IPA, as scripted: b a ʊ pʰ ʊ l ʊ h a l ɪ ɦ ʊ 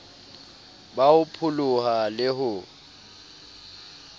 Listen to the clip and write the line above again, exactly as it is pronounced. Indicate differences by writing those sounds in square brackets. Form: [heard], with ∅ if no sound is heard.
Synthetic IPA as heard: b a ʊ pʰ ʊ l ʊ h a l ɪ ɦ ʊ